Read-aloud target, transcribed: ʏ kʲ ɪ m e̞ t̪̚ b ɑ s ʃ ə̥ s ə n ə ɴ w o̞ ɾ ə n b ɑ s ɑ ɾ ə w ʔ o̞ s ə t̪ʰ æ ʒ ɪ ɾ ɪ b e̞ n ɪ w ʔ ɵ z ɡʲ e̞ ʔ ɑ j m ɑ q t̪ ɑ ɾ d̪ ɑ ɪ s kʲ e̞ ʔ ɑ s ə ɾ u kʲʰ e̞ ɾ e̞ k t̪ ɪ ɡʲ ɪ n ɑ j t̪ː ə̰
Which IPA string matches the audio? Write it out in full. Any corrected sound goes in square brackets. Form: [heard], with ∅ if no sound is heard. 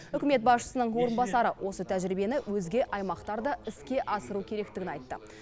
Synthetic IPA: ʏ kʲ ɪ m e̞ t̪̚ b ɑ s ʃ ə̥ s ə n ə ɴ w o̞ ɾ ə n b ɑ s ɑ ɾ ə w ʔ o̞ s ə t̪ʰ æ ʒ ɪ ɾ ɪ b e̞ n ɪ w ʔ ɵ z ɡʲ e̞ ʔ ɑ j m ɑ q t̪ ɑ ɾ d̪ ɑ ɪ s kʲ e̞ ʔ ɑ s ə ɾ u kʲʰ e̞ ɾ e̞ k t̪ ɪ ɡʲ ɪ n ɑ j t̪ː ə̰